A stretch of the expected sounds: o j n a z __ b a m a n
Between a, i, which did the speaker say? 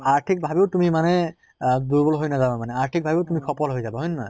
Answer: a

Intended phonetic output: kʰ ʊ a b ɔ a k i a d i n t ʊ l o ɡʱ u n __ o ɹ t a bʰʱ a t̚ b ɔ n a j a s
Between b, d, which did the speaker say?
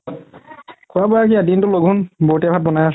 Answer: b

